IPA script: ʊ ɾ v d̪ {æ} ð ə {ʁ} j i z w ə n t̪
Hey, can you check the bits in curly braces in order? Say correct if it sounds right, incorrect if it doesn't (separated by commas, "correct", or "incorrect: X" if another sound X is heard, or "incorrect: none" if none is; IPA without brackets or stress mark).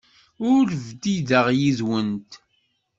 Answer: incorrect: i, correct